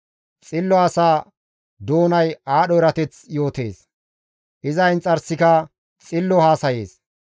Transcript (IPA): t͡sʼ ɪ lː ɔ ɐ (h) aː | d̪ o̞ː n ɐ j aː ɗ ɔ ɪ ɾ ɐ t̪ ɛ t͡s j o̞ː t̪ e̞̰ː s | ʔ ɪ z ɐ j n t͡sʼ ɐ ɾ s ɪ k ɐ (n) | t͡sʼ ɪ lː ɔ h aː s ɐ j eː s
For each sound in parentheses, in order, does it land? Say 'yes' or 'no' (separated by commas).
no, no